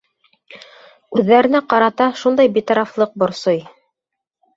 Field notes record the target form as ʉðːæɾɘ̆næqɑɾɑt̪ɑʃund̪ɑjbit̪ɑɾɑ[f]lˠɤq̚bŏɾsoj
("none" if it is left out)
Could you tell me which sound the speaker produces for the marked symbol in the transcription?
f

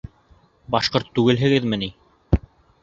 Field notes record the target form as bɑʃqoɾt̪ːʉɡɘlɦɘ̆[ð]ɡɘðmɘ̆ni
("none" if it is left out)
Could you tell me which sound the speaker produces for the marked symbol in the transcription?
none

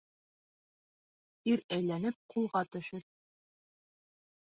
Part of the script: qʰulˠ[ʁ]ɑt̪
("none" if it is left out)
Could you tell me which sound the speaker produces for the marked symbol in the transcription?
ʁ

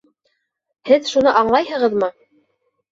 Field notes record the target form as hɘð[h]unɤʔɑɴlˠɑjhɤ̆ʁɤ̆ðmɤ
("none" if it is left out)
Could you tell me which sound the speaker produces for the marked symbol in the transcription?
ʃ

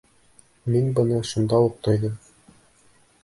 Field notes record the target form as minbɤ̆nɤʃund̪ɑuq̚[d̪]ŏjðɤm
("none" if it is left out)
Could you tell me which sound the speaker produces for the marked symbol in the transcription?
t̪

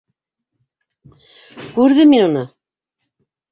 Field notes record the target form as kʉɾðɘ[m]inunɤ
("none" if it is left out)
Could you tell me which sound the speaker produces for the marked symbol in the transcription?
m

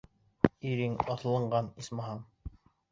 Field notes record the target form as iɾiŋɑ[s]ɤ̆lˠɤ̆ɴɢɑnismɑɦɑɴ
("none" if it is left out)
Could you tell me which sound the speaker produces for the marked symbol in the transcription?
θ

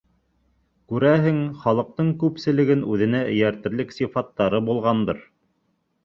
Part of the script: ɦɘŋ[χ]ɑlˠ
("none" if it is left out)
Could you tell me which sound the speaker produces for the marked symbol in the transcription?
χ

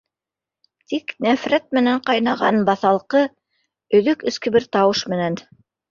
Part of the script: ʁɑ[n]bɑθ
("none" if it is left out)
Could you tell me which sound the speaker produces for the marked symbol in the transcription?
n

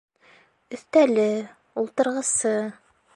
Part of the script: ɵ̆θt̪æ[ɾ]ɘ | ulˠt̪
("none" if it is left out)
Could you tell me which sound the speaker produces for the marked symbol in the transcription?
l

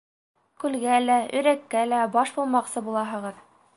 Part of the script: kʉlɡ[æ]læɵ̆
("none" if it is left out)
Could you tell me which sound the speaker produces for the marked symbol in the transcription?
æ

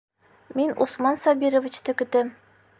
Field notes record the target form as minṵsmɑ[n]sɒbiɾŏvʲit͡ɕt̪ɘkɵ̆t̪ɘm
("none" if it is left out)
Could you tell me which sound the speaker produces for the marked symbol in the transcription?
n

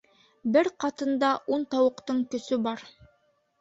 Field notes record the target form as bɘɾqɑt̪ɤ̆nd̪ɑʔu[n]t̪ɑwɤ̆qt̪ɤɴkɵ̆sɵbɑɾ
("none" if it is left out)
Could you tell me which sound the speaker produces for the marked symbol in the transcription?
n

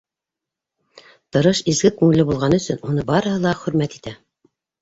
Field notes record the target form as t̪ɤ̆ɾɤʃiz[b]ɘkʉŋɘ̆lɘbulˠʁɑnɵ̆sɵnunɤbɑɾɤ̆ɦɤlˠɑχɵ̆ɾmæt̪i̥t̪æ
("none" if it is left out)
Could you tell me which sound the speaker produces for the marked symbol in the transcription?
ɡ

